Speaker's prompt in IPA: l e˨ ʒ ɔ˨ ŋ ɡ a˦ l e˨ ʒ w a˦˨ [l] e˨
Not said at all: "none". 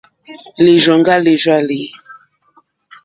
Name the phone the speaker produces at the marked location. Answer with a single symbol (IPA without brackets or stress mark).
l